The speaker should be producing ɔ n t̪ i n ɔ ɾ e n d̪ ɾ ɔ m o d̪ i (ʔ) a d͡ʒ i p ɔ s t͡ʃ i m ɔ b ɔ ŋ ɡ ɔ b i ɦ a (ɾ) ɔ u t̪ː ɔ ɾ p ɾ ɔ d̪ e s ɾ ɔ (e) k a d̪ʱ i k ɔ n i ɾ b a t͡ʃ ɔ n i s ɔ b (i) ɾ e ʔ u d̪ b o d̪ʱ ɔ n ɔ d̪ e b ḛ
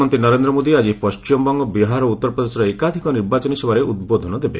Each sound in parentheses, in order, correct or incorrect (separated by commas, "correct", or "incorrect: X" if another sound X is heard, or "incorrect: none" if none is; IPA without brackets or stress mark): incorrect: none, correct, correct, incorrect: a